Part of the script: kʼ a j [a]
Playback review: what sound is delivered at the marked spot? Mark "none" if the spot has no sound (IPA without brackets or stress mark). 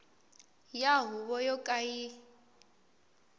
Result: i